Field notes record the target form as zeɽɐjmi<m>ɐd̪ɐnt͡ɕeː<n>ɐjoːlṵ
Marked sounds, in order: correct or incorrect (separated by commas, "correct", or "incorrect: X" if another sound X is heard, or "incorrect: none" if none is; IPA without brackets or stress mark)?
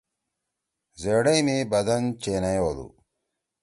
incorrect: b, correct